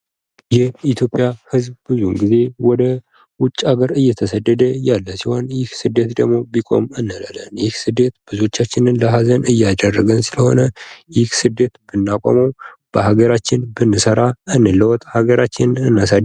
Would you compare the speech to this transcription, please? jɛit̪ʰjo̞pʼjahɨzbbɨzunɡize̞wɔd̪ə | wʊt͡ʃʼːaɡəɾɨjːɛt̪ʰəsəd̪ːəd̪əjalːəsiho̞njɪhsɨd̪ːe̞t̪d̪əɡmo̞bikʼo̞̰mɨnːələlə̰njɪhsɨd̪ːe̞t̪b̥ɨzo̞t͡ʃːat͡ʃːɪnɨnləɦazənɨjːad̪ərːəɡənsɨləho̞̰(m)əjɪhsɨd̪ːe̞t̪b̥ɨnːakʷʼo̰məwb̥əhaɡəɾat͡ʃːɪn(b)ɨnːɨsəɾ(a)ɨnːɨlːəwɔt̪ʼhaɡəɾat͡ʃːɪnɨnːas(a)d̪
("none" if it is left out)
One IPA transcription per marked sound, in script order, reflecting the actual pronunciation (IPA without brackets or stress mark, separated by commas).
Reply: n, b, a, a